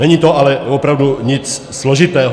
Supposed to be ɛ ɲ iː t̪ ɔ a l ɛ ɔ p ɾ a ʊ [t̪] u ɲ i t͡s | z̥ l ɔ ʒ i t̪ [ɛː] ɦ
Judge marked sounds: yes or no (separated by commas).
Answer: no, yes